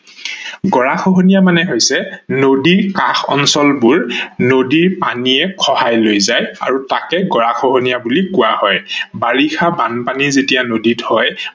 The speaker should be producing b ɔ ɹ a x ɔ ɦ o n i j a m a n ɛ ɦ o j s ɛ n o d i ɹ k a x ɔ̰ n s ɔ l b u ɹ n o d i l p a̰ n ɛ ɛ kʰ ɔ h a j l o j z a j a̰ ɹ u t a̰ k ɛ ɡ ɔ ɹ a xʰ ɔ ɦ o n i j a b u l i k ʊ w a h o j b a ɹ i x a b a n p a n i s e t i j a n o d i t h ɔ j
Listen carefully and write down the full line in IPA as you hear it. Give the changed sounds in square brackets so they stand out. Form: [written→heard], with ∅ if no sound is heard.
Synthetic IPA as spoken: [b→ɡ] ɔ ɹ a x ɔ ɦ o n i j a m a n ɛ ɦ o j s ɛ n o d i ɹ k a x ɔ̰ n s ɔ l b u ɹ n o d i [l→ɹ] p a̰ n [ɛ→i] ɛ kʰ ɔ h a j l o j z a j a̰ ɹ u t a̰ k ɛ ɡ ɔ ɹ a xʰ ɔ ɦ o n i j a b u l i k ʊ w a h [o→ɔ] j b a ɹ i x a b a n p a n i [s→z] e t i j a n o d i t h ɔ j